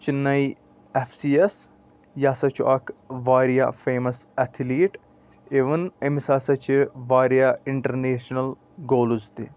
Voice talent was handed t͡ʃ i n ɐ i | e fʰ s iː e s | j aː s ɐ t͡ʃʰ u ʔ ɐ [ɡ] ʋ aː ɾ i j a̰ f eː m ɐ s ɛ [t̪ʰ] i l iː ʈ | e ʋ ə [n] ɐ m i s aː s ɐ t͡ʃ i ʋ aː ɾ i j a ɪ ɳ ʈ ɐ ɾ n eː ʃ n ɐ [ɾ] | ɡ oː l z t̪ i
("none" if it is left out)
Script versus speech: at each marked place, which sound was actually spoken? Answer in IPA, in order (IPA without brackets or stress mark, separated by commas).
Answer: k, t̪ʰ, n, l